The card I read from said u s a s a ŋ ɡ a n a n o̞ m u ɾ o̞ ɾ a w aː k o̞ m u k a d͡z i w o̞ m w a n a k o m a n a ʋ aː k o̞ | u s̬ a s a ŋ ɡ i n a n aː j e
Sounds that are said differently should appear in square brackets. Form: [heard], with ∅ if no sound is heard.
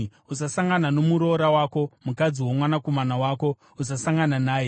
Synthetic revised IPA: u s a s a ŋ ɡ a n a n o̞ m u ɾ o̞ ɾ a w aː k o̞ m u k a d͡z i w o̞ m w a n a k o m a n a [w] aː k o̞ | u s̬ a s a ŋ ɡ [a] n a n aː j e